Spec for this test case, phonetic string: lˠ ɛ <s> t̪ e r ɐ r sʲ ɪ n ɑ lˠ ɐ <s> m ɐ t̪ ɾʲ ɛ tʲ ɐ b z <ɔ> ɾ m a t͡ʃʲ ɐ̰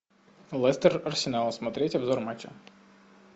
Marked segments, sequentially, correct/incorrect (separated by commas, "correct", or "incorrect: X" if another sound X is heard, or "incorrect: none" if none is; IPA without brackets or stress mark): correct, correct, correct